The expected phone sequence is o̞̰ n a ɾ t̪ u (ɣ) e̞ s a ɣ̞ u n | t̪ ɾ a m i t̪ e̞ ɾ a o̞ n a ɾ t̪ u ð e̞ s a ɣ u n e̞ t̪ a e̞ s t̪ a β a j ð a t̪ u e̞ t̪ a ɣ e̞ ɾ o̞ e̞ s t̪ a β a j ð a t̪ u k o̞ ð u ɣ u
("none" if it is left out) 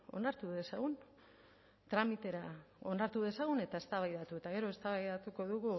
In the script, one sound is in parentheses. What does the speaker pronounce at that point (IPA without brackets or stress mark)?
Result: ð